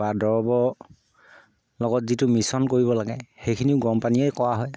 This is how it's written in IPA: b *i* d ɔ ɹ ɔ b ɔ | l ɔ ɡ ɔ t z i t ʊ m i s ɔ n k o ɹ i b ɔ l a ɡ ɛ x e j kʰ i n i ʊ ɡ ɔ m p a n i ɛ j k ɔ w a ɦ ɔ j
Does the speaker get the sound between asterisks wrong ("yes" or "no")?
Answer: yes